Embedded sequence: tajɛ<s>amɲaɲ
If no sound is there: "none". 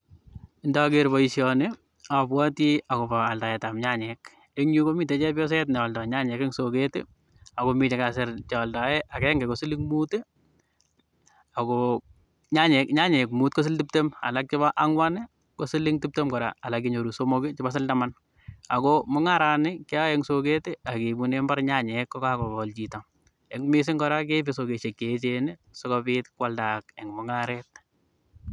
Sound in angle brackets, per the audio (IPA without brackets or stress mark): t